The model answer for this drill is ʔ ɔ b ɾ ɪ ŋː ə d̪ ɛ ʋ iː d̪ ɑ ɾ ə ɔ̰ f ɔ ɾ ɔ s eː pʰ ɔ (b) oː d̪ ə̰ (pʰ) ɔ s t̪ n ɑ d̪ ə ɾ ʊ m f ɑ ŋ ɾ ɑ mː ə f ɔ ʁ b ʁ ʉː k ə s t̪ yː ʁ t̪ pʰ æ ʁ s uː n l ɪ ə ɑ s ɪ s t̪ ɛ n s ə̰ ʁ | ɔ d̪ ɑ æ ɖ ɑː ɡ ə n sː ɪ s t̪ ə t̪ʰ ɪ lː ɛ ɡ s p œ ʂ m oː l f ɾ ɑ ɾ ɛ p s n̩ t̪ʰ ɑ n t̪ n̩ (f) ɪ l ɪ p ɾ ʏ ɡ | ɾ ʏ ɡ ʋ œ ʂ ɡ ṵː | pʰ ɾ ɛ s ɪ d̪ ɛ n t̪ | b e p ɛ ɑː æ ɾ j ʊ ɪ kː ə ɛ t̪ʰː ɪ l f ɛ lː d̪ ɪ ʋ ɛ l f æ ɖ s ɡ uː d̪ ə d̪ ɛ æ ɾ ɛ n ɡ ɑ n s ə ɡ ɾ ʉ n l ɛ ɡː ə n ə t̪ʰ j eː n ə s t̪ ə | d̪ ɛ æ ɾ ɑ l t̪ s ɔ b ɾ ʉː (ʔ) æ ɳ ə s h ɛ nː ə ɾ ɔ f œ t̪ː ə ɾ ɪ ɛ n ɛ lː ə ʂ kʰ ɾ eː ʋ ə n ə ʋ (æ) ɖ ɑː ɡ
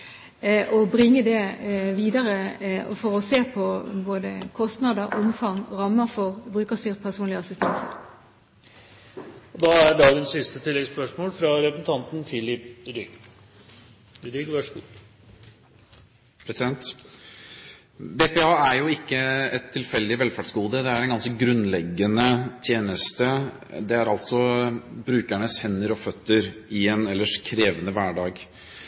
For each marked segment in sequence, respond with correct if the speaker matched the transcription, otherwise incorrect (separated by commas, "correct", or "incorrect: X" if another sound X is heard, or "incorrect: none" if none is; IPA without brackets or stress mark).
correct, incorrect: kʰ, correct, incorrect: k, incorrect: æː